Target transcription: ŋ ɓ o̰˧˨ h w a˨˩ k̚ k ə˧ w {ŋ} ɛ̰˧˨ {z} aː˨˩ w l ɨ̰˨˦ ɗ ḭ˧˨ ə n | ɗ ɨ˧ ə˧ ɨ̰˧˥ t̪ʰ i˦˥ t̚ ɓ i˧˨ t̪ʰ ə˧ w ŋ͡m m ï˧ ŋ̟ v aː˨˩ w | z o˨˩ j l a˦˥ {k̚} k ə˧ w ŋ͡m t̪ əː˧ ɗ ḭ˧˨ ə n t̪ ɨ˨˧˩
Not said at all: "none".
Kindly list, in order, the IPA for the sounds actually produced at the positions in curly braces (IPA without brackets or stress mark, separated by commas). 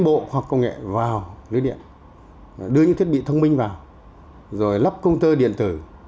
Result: ŋ, v, p̚